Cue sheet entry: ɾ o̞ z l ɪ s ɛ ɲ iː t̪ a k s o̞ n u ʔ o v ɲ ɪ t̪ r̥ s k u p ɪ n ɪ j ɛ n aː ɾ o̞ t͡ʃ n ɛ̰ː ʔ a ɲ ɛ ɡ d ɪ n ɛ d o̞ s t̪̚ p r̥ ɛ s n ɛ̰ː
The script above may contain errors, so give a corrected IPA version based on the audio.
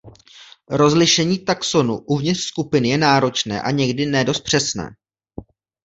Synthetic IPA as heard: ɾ o̞ z l ɪ ʃ ɛ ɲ iː t̪ a k s o̞ n u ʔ u v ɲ ɪ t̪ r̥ s k u p ɪ n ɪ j ɛ n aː ɾ o̞ t͡ʃ n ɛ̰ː ʔ a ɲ ɛ ɡ d ɪ n ɛ d o̞ s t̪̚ p r̥ ɛ s n ɛ̰ː

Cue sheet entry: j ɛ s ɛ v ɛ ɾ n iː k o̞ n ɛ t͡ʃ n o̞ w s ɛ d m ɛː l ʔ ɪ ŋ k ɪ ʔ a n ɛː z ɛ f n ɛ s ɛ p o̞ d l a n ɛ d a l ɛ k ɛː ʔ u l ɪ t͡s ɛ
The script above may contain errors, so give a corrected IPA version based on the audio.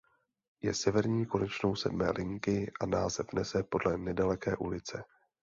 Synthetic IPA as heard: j ɛ s ɛ v ɛ ɾ ɲ iː k o̞ n ɛ t͡ʃ n o̞ w s ɛ d m ɛː l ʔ ɪ ŋ k ɪ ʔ a n aː z ɛ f n ɛ s ɛ p o̞ d l ɛ n ɛ d a l ɛ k ɛː ʔ u l ɪ t͡s ɛ

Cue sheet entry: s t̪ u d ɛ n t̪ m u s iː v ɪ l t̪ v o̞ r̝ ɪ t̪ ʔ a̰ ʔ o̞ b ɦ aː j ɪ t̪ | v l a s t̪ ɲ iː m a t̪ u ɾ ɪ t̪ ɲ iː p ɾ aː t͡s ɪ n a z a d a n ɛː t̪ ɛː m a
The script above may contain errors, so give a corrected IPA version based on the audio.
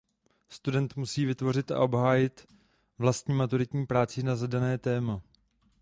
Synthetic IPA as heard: s t̪ u d ɛ n t̪ m u s iː v ɪ t̪ v o̞ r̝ ɪ t̪ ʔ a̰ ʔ o̞ b ɦ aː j ɪ t̪ | v l a s t̪ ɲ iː m a t̪ u ɾ ɪ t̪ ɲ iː p ɾ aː t͡s ɪ n a z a d a n ɛː t̪ ɛː m a

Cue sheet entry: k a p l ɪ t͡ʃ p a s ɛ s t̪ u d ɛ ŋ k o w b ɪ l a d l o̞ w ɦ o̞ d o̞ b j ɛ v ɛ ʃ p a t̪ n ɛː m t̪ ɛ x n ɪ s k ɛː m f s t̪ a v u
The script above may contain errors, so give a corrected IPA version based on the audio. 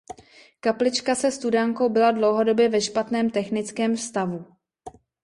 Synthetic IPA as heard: k a p l ɪ t͡ʃ k a s ɛ s t̪ u d a ŋ k o w b ɪ l a d l o̞ w ɦ o̞ d o̞ b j ɛ v ɛ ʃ p a t̪ n ɛː m t̪ ɛ x n ɪ t͡s k ɛː m f s t̪ a v u

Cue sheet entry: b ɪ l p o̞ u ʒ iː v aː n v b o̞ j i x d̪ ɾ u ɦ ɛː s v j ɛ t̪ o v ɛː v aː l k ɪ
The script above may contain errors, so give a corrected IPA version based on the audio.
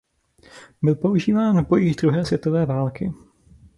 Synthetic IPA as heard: b ɪ l p o̞ u ʒ iː v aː n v b o̞ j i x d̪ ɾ u ɦ ɛː s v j ɛ t̪ o v ɛː v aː l k ɪ

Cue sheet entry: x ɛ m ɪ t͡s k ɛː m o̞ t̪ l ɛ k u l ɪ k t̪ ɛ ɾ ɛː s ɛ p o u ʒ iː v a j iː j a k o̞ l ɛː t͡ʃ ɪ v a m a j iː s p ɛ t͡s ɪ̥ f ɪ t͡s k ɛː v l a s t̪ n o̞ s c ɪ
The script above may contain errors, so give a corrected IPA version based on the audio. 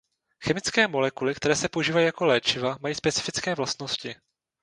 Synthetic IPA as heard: x ɛ m ɪ t͡s k ɛː m o̞ l ɛ k u l ɪ k t̪ ɛ ɾ ɛː s ɛ p o u ʒ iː v a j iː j a k o̞ l ɛː t͡ʃ ɪ v a m a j iː s p ɛ t͡s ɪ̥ f ɪ t͡s k ɛː v l a s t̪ n o̞ s c ɪ

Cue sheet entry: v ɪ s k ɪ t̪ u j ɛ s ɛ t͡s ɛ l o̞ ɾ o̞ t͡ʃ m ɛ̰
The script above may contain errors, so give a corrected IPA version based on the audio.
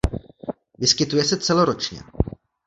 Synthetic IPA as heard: v ɪ s k ɪ t̪ u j ɛ s ɛ t͡s ɛ l o̞ ɾ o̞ t͡ʃ ɲ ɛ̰

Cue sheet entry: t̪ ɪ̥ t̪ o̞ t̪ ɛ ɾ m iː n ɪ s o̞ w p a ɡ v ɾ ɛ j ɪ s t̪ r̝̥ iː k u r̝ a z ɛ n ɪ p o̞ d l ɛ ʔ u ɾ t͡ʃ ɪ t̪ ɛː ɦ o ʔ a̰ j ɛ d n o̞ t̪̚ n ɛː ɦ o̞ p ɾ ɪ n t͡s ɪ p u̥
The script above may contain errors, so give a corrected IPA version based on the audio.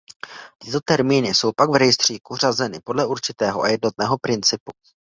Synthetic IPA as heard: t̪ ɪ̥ t̪ o̞ t̪ ɛ ɾ m iː n ɪ s o̞ w p a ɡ v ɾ ɛ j ɪ s t̪ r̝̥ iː k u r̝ a z ɛ n ɪ p o̞ d l ɛ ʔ u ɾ t͡ʃ ɪ t̪ ɛː ɦ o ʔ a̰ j ɛ d n o̞ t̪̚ n ɛː ɦ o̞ p ɾ ɪ n t͡s ɪ p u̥

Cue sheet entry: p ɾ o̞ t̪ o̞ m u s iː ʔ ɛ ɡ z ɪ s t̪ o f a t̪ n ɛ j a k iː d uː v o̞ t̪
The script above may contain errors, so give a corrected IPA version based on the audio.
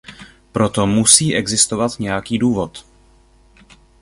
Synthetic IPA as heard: p ɾ o̞ t̪ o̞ m u s iː ʔ ɛ ɡ z ɪ s t̪ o v a t̪ ɲ ɛ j a k iː d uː v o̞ t̪

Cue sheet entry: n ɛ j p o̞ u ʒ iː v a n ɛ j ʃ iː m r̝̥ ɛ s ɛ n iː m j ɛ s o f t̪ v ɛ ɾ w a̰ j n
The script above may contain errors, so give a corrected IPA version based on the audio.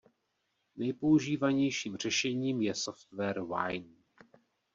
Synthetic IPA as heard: n ɛ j p o̞ u ʒ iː v a ɲ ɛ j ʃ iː m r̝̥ ɛ ʃ ɛ ɲ iː m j ɛ s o f t̪ v ɛ ɾ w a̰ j n

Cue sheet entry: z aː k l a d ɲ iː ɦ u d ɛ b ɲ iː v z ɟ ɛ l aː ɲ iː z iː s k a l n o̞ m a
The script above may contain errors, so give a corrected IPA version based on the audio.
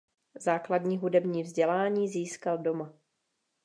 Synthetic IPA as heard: z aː k l a d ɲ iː ɦ u d ɛ b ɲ iː v z ɟ ɛ l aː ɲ iː z iː s k a l d o̞ m a

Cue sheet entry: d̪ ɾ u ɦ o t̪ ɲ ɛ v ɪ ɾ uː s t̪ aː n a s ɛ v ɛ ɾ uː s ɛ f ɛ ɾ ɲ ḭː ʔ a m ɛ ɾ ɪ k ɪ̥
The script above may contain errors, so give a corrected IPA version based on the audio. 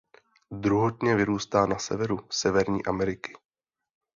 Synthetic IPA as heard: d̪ ɾ u ɦ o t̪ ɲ ɛ v ɪ ɾ uː s t̪ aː n a s ɛ v ɛ ɾ u s ɛ v ɛ ɾ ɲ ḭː ʔ a m ɛ ɾ ɪ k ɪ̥

